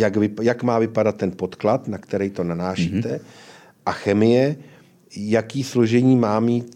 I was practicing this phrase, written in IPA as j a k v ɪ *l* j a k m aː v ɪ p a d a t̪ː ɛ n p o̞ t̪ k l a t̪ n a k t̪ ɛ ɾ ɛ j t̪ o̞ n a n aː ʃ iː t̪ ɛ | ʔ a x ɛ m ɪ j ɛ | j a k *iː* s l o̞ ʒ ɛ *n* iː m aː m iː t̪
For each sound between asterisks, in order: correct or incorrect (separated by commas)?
incorrect, correct, incorrect